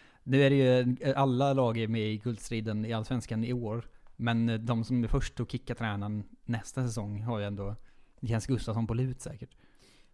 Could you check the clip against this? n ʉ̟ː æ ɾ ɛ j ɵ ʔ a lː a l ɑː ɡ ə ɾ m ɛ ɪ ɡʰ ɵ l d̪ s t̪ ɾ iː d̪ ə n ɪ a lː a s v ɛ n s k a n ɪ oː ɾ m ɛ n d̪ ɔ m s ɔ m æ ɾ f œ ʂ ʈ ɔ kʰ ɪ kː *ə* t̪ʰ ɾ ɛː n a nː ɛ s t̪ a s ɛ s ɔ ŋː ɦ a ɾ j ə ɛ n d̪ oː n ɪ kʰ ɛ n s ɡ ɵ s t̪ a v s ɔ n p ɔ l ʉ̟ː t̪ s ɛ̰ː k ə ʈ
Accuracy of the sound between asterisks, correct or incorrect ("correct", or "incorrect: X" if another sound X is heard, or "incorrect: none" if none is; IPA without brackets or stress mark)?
incorrect: a